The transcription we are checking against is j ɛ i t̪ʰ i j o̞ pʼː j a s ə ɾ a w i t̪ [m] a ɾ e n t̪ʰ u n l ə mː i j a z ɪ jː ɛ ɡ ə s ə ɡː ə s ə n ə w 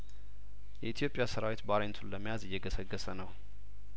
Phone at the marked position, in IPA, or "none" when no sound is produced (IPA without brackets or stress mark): b